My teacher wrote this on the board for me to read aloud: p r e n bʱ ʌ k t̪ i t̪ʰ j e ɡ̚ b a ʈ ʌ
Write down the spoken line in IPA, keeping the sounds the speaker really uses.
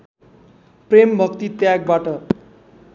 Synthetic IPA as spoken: p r e m bʱ ʌ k t̪ i t̪ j a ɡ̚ b a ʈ ʌ